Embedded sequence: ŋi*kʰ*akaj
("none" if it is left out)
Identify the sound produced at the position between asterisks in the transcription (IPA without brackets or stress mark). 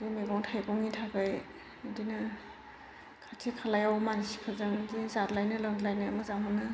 tʰ